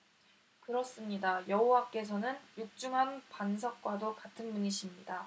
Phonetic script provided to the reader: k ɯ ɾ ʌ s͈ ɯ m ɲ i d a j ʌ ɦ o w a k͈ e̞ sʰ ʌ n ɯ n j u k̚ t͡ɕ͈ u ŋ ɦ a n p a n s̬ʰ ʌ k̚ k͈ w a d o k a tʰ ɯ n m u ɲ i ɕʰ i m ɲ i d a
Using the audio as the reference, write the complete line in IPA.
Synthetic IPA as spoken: k ɯ ɾ ʌ s͈ ɯ m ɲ i d a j ʌ ɦ o w a k͈ e̞ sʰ ʌ n ɯ n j u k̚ t͡ɕ͈ u ŋ ɦ a n p a n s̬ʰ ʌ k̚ k͈ w a d o k a tʰ ɯ n m u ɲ i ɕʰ i m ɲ i d a

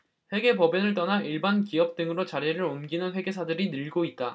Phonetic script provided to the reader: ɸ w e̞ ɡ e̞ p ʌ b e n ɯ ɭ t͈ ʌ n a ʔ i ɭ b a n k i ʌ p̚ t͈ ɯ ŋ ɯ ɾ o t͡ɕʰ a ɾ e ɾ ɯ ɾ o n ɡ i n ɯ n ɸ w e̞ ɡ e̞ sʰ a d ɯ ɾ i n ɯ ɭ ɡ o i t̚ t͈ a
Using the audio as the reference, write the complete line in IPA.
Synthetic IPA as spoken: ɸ w e̞ ɡ e̞ p ʌ b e n ɯ ɭ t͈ ʌ n a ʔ i ɭ b a n k i ʌ p̚ t͈ ɯ ŋ ɯ ɾ o t͡ɕ a ɾ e ɾ ɯ ɾ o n ɡ i n ɯ n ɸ w e̞ ɡ e̞ sʰ a d ɯ ɾ i n ɯ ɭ ɡ o i t̚ t͈ a

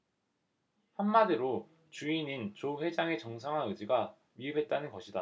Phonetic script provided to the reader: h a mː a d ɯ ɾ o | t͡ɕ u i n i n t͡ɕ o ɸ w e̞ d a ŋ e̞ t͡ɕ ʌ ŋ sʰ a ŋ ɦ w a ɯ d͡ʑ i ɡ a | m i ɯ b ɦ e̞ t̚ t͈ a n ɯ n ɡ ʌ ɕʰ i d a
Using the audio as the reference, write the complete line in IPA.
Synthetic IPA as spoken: h a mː a d ɯ ɾ o | t͡ɕ u i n i n t͡ɕ o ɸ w e̞ d͡ʑ a ŋ e̞ t͡ɕ ʌ ŋ sʰ a ŋ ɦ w a ɯ d͡ʑ i ɡ a | m i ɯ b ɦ e̞ t̚ t͈ a n ɯ n ɡ ʌ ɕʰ i d a

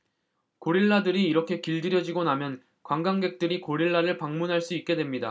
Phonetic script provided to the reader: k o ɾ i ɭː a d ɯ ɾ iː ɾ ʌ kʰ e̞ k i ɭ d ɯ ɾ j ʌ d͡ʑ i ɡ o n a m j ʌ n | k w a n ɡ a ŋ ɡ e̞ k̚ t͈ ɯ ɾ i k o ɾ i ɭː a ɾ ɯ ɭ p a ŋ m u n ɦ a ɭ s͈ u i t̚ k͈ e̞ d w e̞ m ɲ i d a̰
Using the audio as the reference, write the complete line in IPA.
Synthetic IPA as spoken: k o ɾ i ɭː a d ɯ ɾ iː ɾ ʌ kʰ e̞ k i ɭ d ɯ ɾ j ʌ d͡ʑ i ɡ o n a m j ʌ n | k w a ŋ ɡ a ŋ ɡ e̞ k̚ t͈ ɯ ɾ i k o ɾ i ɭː a ɾ ɯ ɭ p a ŋ m u n ɦ a ɭ s͈ u i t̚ k͈ e̞ d w e̞ m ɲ i d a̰

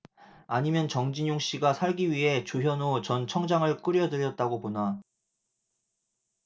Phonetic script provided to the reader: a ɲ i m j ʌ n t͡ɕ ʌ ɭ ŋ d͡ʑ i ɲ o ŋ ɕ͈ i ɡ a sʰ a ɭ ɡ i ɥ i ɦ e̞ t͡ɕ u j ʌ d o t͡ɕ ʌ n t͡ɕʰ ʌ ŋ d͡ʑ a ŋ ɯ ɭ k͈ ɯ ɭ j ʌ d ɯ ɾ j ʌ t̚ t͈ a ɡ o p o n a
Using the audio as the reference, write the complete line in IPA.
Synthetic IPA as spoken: a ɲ i m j ʌ n t͡ɕ ʌ ŋ d͡ʑ i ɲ o ŋ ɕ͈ i ɡ a sʰ a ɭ ɡ i ɥ i ɦ e̞ t͡ɕ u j ʌ n o t͡ɕ ʌ n t͡ɕʰ ʌ ŋ d͡ʑ a ŋ ɯ ɭ k͈ ɯ ɾ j ʌ d ɯ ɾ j ʌ t̚ t͈ a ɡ o p o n a

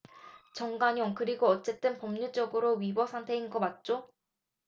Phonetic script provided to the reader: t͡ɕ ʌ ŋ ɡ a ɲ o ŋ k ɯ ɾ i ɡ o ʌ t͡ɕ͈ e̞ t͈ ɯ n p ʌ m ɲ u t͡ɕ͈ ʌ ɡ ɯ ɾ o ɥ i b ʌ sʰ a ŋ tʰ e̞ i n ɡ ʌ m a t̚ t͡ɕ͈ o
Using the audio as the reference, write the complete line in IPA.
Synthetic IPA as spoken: t͡ɕ ʌ ŋ ɡ a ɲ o ŋ k ɯ ɾ i ɡ o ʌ t͡ɕ͈ e̞ t͈ ɯ n p ʌ m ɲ u t͡ɕ͈ ʌ ɡ ɯ ɾ o ɥ i b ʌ sʰ a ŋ tʰ e̞ i n ɡ ʌ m a t̚ t͡ɕ͈ o

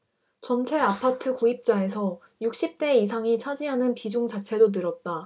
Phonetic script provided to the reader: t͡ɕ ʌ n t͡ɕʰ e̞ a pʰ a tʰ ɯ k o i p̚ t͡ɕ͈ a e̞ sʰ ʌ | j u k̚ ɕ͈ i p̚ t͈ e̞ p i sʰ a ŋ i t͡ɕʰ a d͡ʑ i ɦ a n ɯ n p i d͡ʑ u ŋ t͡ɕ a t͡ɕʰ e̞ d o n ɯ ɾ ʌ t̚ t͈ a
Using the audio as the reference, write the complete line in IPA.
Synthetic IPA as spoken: t͡ɕ ʌ n t͡ɕʰ e̞ a pʰ a tʰ ɯ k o i p̚ t͡ɕ͈ a e̞ sʰ ʌ | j u k̚ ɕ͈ i p̚ t͈ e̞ i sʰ a ŋ i t͡ɕʰ a d͡ʑ i ɦ a n ɯ n p i d͡ʑ u ŋ t͡ɕ a t͡ɕʰ e̞ d o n ɯ ɾ ʌ t̚ t͈ a

